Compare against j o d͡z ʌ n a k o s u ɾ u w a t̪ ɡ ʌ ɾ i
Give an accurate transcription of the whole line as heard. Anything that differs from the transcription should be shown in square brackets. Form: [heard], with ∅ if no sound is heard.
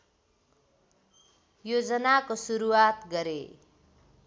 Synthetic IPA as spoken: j o d͡z ʌ n a k o s u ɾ u w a t̪ ɡ ʌ ɾ [e]